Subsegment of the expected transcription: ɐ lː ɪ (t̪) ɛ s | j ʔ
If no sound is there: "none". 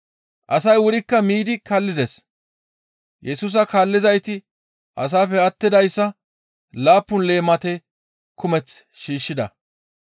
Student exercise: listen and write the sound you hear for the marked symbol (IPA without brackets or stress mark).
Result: d̪